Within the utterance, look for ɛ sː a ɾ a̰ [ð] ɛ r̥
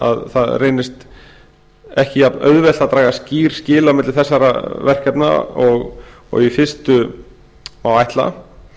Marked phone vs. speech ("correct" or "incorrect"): incorrect